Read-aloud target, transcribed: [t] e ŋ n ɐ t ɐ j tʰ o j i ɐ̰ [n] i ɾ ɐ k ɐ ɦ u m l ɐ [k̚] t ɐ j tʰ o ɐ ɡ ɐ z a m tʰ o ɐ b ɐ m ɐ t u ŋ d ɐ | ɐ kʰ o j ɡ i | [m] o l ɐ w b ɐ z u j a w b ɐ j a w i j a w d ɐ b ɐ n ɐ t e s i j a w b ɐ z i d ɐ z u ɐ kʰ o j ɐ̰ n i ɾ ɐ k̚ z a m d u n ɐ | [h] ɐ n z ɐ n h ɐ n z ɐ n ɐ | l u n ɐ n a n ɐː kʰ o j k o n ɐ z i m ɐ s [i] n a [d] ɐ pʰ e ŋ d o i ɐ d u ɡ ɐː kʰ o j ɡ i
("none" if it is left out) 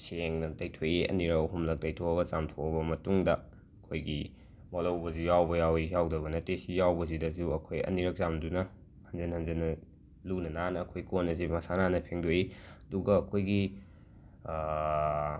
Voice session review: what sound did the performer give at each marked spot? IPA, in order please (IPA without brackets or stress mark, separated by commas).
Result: s, n, k̚, m, h, a, n